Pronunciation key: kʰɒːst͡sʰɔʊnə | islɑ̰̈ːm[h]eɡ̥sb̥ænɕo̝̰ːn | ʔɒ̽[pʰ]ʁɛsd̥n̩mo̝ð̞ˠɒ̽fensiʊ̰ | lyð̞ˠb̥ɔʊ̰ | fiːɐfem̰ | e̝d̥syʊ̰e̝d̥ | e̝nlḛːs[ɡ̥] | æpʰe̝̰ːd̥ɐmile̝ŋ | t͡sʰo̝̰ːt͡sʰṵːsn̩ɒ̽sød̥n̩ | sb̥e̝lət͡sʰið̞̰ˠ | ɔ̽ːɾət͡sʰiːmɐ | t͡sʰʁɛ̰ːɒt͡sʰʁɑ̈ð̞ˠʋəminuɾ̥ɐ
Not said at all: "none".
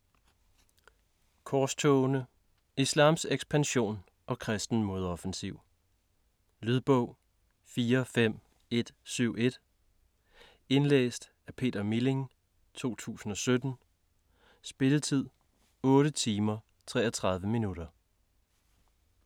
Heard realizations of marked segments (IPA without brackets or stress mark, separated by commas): s, kʰ, d̥